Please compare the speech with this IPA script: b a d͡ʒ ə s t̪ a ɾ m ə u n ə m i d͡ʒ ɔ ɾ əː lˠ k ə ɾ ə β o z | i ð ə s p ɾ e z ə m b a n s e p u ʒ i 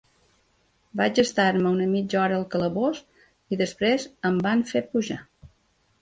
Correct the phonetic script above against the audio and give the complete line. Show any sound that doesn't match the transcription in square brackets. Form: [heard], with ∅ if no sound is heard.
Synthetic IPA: b a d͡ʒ ə s t̪ a ɾ m ə u n ə m i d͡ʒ ɔ ɾ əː lˠ k ə [l] ə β o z | i ð ə s p ɾ e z ə m b a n [f] e p u ʒ [a]